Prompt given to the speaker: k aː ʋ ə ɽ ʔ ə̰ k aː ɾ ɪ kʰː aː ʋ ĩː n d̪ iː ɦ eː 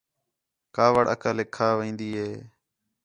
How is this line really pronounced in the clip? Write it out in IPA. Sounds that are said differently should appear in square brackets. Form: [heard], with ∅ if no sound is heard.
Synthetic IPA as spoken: k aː ʋ ə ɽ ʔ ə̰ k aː [l] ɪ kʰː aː ʋ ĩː n d̪ iː ɦ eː